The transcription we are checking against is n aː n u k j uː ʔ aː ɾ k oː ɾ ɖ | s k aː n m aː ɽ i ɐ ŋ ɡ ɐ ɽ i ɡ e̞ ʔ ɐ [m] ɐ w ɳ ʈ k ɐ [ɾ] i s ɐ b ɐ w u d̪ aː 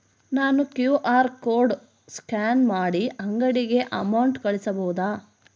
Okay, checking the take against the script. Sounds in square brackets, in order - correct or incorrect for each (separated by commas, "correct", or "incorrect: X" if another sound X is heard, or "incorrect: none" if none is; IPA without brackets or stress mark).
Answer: correct, incorrect: ɭ